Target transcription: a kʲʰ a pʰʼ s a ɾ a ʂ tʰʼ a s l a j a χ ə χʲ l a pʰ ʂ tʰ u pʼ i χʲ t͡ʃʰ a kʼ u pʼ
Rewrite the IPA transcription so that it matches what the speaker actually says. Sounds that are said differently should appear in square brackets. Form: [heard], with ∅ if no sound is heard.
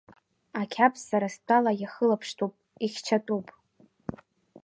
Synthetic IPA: a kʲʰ a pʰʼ s a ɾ a [s] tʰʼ a [∅] l a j a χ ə [∅] l a pʰ ʂ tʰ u pʼ i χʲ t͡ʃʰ a [tʼ] u pʼ